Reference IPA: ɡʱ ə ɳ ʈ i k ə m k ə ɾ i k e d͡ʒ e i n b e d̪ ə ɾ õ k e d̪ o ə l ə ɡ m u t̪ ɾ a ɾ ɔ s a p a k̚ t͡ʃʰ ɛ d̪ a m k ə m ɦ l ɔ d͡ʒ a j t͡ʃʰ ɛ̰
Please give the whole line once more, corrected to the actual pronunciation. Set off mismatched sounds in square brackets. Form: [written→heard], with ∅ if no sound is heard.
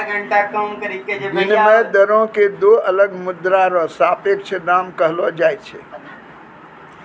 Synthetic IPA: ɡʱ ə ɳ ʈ [i→a] k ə m k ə ɾ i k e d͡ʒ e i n [b→m] e d̪ ə ɾ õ k e d̪ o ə l ə ɡ m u [t̪→d̪] ɾ a ɾ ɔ s a p [a→e] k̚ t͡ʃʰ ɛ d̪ a m k ə [m→∅] ɦ l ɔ d͡ʒ a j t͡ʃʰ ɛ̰